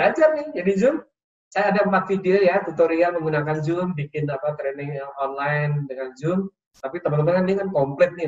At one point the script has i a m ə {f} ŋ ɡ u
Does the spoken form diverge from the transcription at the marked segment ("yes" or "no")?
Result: yes